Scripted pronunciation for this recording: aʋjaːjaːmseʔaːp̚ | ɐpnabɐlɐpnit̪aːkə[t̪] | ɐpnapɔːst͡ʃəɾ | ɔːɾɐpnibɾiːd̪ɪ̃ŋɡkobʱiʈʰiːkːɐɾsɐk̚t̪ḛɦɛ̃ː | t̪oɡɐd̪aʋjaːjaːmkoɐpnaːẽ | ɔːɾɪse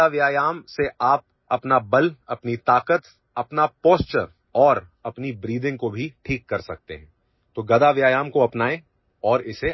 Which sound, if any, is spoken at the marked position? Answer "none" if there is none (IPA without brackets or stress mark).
t̪